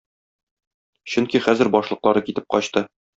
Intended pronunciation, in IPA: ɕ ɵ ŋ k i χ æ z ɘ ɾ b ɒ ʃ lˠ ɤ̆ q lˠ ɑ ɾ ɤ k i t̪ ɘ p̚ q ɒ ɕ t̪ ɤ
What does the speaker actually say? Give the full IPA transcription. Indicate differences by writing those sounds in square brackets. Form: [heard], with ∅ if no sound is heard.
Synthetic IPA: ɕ ɵ ŋ k i χ æ z ɘ ɾ b ɒ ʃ lˠ ɤ̆ q lˠ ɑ ɾ ɤ k i t̪ ɘ p̚ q ɒ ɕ t̪ ɤ